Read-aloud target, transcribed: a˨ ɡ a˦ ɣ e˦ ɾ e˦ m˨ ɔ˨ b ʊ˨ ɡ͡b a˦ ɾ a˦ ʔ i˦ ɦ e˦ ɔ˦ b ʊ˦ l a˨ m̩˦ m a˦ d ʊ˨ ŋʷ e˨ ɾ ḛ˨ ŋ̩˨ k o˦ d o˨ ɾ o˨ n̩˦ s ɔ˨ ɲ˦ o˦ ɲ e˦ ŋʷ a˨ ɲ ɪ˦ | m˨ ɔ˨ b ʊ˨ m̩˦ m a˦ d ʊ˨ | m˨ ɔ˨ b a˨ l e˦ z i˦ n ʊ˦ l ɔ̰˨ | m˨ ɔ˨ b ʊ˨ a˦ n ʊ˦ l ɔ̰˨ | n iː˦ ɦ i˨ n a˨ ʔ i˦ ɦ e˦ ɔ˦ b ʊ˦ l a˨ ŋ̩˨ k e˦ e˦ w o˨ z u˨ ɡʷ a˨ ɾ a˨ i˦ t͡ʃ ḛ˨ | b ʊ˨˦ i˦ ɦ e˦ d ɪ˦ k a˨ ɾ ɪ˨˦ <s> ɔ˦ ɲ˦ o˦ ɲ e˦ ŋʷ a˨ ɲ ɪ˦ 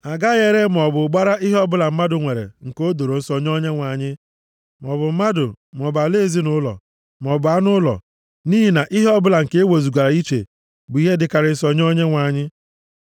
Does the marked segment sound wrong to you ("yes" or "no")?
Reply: no